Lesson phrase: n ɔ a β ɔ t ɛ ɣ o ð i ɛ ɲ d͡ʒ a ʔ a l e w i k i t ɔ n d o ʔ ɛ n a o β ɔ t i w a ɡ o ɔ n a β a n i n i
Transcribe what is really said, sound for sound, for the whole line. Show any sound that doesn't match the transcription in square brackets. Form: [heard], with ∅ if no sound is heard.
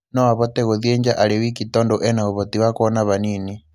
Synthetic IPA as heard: n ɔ a β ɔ t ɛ ɣ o ð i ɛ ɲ d͡ʒ a ʔ a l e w i k i t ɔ n d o ʔ ɛ n a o β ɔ t i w a [k] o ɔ n a β a n i n i